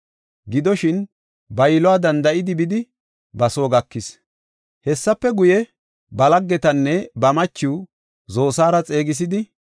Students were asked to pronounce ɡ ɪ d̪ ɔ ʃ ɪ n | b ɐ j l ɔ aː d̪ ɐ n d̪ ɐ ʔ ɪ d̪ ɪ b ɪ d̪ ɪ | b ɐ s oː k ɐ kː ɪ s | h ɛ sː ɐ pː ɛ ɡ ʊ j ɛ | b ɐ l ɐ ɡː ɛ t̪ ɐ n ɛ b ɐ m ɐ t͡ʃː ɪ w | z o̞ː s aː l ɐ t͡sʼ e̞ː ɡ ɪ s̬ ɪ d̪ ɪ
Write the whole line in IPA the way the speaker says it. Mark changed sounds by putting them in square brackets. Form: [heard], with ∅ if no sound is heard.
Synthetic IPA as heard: ɡ ɪ d̪ ɔ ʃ ɪ n | b ɐ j l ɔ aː d̪ ɐ n d̪ ɐ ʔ ɪ d̪ ɪ b ɪ d̪ ɪ | b ɐ s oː [ɡ] ɐ kː ɪ s | h ɛ sː ɐ pː ɛ ɡ ʊ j ɛ | b ɐ l ɐ ɡː ɛ t̪ ɐ [nː] ɛ b ɐ m ɐ t͡ʃː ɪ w | z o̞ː s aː [ɾ] ɐ t͡sʼ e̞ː ɡ ɪ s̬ ɪ d̪ ɪ